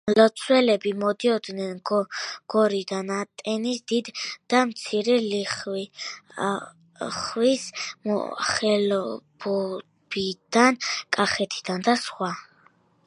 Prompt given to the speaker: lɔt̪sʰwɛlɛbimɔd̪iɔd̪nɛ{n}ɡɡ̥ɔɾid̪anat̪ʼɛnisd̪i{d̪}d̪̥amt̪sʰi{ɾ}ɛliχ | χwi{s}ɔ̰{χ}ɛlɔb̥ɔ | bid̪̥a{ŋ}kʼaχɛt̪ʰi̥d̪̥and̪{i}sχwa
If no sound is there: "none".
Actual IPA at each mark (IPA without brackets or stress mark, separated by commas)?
n, d̪, ɾ, s, χ, n, a